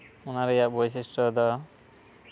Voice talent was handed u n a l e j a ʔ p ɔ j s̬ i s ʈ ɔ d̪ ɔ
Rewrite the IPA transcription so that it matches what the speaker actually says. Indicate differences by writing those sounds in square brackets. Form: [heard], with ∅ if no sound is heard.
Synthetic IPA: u n a [ɾ] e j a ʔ [b] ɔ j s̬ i s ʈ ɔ d̪ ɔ